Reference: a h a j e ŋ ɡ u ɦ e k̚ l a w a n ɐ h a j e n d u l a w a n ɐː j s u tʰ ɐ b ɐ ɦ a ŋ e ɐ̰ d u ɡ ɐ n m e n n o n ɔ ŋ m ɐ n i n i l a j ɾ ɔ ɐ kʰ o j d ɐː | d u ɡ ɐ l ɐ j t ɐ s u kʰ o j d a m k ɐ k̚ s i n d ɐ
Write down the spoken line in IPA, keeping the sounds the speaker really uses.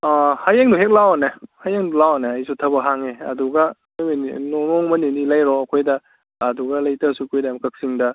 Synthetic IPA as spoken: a h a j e ŋ d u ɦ e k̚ l a w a n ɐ h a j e ŋ d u l a w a n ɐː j s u tʰ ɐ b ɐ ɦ a ŋ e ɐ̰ d u ɡ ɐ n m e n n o n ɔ ŋ m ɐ n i n i l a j ɾ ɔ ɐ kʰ o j d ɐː | d u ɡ ɐ l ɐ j t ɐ s u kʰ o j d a m k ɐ k̚ s i ŋ d ɐ